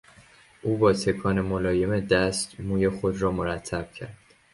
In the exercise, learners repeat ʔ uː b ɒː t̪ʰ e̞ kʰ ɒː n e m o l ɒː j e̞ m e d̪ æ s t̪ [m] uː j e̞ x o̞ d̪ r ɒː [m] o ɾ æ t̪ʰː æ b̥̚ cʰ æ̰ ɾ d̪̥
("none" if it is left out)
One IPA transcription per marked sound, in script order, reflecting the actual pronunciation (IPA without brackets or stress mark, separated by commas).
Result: m, m